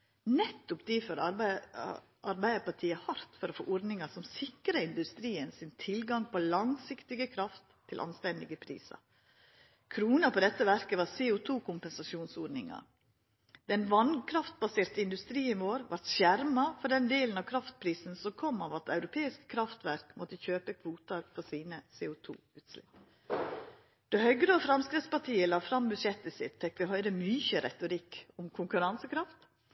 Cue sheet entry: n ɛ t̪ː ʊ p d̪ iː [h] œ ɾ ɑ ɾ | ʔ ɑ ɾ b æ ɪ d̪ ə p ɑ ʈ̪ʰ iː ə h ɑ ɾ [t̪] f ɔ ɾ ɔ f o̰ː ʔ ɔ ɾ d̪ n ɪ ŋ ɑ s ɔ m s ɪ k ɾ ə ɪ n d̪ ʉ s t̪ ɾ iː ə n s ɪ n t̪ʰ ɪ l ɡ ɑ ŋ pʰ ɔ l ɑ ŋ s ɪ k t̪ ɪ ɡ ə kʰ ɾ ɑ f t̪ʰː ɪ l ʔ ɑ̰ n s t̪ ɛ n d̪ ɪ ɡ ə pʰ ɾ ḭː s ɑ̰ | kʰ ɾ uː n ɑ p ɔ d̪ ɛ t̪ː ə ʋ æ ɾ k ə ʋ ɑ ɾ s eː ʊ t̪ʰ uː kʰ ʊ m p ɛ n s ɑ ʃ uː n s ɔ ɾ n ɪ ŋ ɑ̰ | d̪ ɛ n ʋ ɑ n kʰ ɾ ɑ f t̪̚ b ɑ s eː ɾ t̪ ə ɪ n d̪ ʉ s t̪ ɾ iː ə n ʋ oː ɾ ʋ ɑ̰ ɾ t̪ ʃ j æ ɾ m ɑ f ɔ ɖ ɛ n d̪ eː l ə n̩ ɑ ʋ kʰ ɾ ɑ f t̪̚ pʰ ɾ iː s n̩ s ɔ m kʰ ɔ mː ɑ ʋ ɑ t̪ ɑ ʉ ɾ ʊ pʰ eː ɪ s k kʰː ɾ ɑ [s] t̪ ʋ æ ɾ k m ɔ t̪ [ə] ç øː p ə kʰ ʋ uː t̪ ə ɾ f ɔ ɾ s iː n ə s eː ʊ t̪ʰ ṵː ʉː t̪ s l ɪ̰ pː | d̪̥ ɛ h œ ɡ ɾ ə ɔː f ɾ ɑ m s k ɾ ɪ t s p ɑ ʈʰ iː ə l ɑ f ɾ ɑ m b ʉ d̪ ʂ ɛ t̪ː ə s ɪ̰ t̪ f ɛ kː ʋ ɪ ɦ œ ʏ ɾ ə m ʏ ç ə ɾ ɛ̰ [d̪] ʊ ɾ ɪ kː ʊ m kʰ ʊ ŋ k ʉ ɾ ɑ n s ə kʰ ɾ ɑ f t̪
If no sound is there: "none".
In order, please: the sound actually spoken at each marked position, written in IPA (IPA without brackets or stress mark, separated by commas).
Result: f, t̪, f, ə, t̪